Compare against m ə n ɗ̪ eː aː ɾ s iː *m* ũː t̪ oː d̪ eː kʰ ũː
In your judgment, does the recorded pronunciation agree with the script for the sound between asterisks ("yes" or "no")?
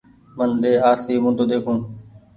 yes